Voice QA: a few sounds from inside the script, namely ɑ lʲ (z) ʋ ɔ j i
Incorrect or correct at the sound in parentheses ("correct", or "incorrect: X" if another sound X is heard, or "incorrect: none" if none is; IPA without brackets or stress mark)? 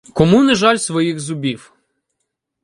incorrect: s